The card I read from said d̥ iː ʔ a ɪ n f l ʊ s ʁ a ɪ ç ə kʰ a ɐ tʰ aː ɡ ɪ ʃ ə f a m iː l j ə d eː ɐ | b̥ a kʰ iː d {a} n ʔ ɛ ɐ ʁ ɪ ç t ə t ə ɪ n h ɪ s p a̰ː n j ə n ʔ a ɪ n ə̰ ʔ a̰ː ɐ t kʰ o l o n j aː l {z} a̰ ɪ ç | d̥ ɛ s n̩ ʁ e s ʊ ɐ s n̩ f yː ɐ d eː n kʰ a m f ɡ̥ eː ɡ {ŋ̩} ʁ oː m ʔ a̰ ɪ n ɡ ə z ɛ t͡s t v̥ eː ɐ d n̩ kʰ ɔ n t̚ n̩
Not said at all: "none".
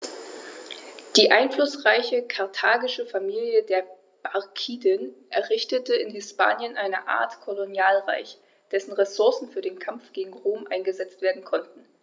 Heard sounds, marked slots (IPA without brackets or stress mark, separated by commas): ə, ʁ, ŋ̩